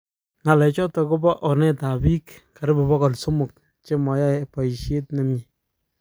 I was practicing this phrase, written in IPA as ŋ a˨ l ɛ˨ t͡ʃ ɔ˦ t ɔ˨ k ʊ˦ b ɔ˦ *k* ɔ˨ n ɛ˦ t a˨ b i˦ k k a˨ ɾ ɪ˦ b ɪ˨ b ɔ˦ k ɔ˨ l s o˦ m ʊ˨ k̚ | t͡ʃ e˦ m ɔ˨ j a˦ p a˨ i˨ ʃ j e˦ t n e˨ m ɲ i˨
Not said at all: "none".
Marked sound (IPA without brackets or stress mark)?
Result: ʔ